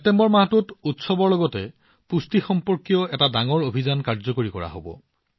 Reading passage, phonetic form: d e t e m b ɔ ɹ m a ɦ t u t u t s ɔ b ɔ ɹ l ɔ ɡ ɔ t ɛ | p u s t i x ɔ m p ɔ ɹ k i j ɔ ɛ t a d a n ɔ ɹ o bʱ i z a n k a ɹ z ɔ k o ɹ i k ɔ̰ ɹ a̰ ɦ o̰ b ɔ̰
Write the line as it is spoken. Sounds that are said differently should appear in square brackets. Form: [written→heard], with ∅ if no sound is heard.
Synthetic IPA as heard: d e t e m b ɔ ɹ m a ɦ t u t u t s ɔ b ɔ ɹ l ɔ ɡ ɔ t ɛ | p u s t i x ɔ m p ɔ ɹ k i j ɔ ɛ t a d a [n→ŋ] ɔ ɹ o bʱ i z a n k a ɹ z ɔ k o ɹ i k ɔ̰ ɹ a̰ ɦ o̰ b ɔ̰